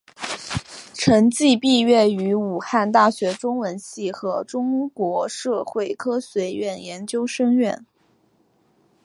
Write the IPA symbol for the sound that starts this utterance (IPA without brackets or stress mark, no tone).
ʈ͡ʂʰ